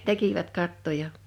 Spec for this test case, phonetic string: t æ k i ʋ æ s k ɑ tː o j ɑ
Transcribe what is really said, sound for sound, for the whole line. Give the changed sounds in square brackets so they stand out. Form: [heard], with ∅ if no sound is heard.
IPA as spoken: t [e] k i ʋ æ [t] k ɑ tː o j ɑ